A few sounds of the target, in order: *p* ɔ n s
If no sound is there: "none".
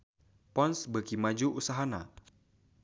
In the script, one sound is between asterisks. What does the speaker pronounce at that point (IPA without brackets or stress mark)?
p